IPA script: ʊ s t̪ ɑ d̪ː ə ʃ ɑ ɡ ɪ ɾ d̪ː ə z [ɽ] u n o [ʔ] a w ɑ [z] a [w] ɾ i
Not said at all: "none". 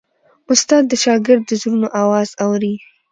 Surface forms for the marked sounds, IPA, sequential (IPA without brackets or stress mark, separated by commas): ɾ, ʔ, z, w